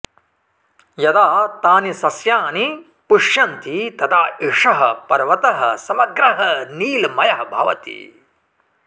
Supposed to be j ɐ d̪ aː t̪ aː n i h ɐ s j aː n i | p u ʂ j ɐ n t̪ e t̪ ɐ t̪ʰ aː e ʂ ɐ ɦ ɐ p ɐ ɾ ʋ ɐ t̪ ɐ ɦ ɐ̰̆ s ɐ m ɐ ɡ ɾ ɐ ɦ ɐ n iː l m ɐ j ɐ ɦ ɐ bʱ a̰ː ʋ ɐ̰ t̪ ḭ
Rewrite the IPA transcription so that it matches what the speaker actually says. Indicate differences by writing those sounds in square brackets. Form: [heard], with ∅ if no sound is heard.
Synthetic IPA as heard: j ɐ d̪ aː t̪ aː n i [s] ɐ s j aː n i | p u ʂ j ɐ n t̪ [i] t̪ ɐ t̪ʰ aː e ʂ ɐ ɦ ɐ p ɐ ɾ ʋ ɐ t̪ ɐ ɦ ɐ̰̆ s ɐ m ɐ ɡ ɾ ɐ ɦ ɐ n iː l m ɐ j ɐ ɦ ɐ bʱ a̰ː ʋ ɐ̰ t̪ ḭ